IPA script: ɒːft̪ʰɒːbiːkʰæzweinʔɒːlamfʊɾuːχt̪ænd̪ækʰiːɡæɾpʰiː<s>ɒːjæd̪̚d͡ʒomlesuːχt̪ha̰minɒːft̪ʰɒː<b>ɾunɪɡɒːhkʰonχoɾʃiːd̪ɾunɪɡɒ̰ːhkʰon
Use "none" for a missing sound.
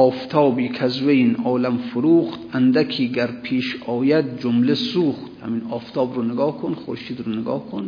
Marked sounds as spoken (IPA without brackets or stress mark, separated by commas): ʃ, b